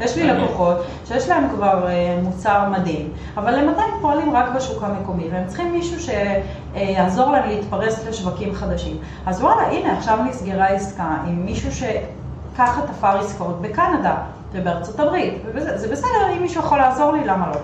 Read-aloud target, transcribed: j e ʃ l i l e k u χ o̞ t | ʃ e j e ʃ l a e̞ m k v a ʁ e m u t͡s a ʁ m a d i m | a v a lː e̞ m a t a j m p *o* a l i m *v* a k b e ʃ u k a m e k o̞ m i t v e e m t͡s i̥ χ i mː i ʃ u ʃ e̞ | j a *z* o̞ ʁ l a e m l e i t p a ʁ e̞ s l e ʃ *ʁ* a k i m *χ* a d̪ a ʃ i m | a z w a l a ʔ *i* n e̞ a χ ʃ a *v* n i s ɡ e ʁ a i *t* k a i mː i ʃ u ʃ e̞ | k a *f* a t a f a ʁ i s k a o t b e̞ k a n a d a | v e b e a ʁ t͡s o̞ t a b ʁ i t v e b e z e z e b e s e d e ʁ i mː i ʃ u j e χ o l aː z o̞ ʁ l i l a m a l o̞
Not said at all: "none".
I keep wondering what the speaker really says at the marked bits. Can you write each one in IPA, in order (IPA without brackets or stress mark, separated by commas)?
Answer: o, ʁ, z, v, χ, i, v, s, χ